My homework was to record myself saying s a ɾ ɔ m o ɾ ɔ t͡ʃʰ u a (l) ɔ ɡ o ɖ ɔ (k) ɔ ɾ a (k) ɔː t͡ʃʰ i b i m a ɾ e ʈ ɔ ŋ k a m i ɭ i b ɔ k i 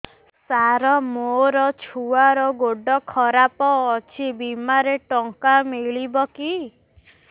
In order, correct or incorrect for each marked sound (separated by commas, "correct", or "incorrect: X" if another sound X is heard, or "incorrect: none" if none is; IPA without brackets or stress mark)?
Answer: incorrect: ɾ, incorrect: kʰ, incorrect: p